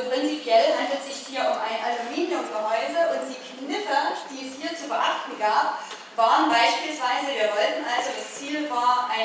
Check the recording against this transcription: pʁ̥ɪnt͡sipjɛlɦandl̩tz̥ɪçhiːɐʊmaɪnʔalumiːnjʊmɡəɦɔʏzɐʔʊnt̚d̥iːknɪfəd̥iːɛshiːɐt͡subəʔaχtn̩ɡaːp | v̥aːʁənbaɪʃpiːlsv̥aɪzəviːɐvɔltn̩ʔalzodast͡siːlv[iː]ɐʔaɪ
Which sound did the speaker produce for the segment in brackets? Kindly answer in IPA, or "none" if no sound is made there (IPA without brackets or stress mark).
aː